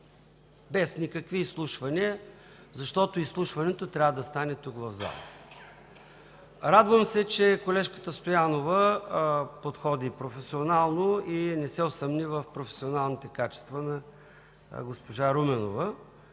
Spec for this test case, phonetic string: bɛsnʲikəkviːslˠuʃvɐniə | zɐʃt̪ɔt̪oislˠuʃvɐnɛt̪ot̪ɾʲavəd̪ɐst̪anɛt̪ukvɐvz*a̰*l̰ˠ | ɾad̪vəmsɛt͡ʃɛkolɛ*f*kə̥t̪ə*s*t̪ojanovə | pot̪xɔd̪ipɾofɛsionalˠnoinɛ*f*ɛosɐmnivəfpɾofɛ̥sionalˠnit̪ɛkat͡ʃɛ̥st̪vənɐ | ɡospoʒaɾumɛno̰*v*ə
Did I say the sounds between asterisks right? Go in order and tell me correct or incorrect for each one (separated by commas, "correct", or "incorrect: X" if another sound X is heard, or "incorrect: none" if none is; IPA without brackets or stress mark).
correct, incorrect: ʃ, correct, incorrect: s, correct